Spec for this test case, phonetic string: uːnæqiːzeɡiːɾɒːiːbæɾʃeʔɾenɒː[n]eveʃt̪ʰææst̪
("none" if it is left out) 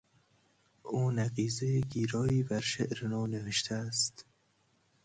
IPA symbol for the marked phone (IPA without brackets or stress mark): n